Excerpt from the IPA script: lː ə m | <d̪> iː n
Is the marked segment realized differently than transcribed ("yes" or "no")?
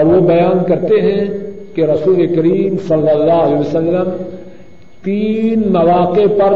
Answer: yes